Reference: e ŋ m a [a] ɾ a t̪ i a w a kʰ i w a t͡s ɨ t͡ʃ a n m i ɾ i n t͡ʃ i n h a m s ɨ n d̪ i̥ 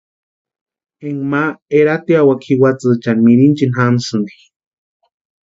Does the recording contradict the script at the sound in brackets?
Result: yes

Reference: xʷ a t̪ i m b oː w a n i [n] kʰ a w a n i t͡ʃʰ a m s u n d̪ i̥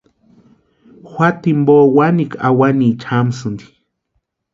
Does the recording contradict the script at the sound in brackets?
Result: yes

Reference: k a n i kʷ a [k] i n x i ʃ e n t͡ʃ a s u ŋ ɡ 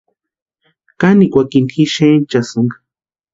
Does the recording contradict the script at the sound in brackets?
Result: no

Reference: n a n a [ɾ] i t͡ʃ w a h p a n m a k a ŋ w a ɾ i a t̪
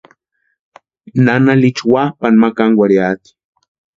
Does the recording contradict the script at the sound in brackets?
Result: yes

